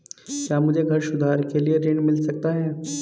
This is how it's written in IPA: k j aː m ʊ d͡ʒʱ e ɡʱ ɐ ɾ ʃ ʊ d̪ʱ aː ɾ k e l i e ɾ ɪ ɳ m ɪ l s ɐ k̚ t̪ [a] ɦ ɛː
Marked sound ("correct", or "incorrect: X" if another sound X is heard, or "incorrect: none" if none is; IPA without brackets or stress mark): correct